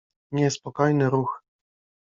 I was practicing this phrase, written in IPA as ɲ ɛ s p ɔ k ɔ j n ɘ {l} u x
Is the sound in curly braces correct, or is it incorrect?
incorrect